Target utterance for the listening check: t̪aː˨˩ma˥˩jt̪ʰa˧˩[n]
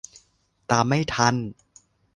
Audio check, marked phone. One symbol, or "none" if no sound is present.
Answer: n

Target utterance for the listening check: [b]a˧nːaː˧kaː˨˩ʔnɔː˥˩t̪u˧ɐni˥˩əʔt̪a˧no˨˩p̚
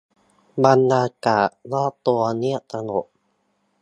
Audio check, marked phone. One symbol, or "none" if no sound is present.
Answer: b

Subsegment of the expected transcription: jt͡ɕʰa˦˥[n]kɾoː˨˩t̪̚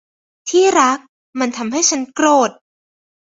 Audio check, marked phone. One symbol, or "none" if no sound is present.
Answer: n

